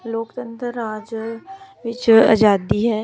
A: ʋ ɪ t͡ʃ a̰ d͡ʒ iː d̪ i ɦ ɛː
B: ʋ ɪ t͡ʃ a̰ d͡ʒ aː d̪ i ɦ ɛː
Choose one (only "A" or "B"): B